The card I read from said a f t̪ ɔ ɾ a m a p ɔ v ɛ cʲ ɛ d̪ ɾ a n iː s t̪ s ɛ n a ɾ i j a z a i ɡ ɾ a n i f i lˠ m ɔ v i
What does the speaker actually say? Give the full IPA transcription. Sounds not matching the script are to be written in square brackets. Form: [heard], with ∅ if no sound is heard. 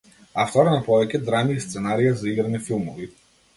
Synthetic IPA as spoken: a f t̪ ɔ ɾ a [n] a p ɔ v ɛ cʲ ɛ d̪ ɾ a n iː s t̪ s ɛ n a ɾ i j a z a i ɡ ɾ a n i f i lˠ m ɔ v i